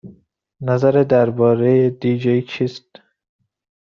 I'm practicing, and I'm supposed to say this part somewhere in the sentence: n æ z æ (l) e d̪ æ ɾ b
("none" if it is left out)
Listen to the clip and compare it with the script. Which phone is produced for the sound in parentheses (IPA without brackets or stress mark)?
ɾ